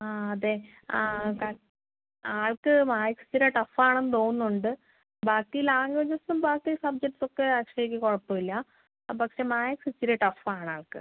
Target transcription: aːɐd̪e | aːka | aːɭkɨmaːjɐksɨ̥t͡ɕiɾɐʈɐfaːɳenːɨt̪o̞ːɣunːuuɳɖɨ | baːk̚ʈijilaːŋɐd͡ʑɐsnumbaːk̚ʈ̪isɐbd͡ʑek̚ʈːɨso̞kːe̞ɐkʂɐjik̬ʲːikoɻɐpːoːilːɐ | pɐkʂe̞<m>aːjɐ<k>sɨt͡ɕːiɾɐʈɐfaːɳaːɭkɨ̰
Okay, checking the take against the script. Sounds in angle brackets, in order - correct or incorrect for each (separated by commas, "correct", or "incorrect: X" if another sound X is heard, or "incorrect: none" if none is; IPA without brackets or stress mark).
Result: correct, correct